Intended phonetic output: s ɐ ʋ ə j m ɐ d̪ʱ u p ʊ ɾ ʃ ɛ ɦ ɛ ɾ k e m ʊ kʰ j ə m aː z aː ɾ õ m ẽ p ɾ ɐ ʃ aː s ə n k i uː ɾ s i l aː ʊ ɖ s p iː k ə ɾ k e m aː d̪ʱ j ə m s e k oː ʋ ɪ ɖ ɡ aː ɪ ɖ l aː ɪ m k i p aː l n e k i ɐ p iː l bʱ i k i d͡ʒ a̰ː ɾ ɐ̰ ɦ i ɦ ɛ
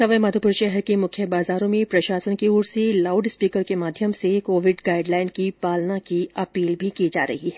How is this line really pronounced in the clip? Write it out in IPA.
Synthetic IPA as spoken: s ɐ ʋ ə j m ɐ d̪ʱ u p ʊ ɾ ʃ ɛ ɦ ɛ ɾ k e m ʊ kʰ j ə b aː z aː ɾ õ m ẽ p ɾ ɐ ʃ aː s ə n k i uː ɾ s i l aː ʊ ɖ s p iː k ə ɾ k e m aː d̪ʱ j ə m s e k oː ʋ ɪ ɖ ɡ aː ɪ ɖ l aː ɪ n k i p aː l n a k i ɐ p iː l bʱ i k i d͡ʒ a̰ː ɾ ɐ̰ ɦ i ɦ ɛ